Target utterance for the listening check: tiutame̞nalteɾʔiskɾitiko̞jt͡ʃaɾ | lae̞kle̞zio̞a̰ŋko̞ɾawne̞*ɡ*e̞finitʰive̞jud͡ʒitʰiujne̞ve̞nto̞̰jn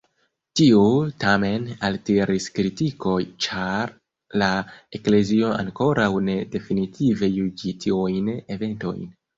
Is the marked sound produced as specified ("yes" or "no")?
no